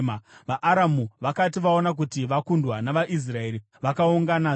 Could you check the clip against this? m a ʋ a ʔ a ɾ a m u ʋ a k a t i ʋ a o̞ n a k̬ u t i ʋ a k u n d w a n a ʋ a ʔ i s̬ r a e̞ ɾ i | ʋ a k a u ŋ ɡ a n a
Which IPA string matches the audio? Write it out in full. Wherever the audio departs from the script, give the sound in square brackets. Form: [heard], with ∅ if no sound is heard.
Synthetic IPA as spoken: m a ʋ a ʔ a ɾ a m u ʋ a k a t i ʋ a o̞ n a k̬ u t i ʋ a k u n d w a n a ʋ a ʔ i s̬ r a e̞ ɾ i | ʋ a k a u ŋ ɡ a n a